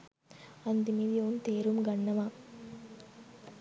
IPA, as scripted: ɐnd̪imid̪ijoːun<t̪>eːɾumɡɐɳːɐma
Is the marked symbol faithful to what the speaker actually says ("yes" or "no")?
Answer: yes